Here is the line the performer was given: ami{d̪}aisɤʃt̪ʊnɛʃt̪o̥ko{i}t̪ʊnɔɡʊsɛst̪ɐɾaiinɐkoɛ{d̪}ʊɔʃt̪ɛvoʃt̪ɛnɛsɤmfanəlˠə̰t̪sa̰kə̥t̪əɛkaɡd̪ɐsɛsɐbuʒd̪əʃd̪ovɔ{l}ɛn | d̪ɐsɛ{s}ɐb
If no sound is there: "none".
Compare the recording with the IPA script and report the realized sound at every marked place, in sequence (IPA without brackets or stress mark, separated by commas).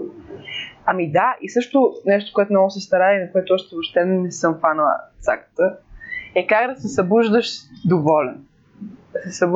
d̪, ɛ, t̪, l, s